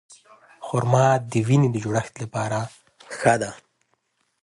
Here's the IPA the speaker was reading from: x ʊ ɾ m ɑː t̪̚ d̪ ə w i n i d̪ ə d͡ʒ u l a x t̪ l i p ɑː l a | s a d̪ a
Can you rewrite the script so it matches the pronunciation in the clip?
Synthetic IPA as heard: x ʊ ɾ m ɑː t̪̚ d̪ ə w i n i d̪ ə d͡ʒ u ɽ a x t̪ l a p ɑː ɾ a | x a d̪ a